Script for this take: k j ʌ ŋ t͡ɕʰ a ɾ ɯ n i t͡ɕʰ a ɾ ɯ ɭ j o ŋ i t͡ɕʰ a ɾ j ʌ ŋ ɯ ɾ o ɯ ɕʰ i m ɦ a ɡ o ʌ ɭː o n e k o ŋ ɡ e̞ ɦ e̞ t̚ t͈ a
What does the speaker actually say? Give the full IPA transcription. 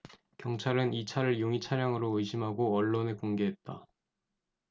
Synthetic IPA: k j ʌ ŋ t͡ɕʰ a ɾ ɯ n i t͡ɕʰ a ɾ ɯ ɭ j o ŋ i t͡ɕʰ a ɾ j a ŋ ɯ ɾ o ɯ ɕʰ i m ɦ a ɡ o ʌ ɭː o n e k o ŋ ɡ e̞ ɦ e̞ t̚ t͈ a